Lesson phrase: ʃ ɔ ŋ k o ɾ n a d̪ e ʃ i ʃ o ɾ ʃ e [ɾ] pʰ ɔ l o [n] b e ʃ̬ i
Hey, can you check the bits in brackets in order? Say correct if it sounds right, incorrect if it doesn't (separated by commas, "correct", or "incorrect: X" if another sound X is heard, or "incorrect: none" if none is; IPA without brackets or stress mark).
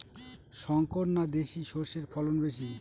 correct, correct